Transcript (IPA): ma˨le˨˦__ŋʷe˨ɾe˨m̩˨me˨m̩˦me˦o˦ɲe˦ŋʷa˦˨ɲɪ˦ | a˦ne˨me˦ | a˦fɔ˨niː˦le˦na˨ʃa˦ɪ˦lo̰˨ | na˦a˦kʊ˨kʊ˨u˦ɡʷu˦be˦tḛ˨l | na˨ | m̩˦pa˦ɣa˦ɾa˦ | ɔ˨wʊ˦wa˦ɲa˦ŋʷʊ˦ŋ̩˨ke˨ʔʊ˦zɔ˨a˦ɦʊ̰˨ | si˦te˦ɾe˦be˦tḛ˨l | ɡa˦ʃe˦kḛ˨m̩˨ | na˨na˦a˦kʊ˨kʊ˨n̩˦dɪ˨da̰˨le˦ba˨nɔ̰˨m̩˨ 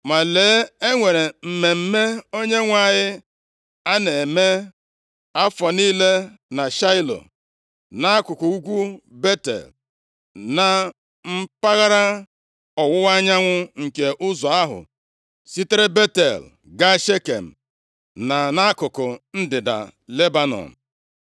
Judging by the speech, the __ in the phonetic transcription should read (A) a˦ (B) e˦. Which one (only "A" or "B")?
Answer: B